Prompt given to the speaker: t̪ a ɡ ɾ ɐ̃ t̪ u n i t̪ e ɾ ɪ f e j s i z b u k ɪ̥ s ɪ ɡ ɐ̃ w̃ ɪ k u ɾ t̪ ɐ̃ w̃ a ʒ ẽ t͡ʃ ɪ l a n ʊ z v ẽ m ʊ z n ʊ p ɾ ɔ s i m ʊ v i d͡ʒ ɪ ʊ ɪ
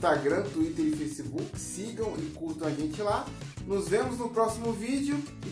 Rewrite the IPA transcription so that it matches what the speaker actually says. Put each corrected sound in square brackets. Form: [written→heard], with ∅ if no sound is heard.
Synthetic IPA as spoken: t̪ a ɡ ɾ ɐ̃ t̪ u [n→∅] i t̪ e ɾ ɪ f e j s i [z→∅] b u k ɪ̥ s [ɪ→i] ɡ ɐ̃ w̃ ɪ k u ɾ t̪ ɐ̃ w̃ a ʒ ẽ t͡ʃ ɪ l a n ʊ z v ẽ m ʊ z n ʊ p ɾ ɔ s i m ʊ v i d͡ʒ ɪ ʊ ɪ

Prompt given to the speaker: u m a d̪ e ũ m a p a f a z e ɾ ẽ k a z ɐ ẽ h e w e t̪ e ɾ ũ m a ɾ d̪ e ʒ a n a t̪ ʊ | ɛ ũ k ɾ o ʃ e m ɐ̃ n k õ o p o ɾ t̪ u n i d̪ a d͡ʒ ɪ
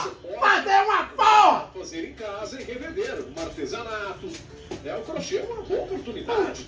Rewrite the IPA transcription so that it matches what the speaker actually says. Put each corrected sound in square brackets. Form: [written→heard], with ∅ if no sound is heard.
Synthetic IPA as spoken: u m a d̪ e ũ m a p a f a z e ɾ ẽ k a z ɐ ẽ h e [w→v] e [t̪→d̪] e ɾ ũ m a ɾ [d̪→t̪] e [ʒ→z] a n a t̪ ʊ | ɛ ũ k ɾ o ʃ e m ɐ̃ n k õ o p o ɾ t̪ u n i d̪ a d͡ʒ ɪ

